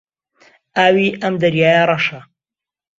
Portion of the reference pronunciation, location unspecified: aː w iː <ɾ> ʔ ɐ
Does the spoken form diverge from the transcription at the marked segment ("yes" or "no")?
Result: yes